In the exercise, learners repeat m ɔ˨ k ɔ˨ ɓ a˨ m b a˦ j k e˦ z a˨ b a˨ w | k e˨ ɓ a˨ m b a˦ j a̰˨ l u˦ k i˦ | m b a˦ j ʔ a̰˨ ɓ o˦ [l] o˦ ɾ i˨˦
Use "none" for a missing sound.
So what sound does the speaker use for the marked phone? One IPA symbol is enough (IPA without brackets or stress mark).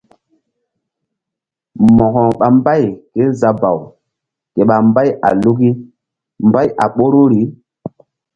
ɾ